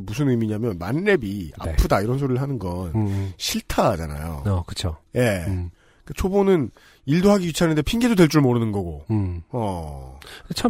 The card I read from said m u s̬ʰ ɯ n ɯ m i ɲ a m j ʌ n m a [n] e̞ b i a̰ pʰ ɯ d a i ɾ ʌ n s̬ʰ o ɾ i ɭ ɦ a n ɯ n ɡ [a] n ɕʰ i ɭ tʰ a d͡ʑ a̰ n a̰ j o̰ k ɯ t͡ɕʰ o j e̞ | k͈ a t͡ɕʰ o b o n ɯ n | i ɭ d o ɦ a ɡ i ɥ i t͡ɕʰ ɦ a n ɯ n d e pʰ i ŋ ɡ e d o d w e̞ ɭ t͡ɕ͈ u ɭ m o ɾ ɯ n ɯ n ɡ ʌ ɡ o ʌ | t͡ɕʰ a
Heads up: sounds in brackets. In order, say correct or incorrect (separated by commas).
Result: incorrect, incorrect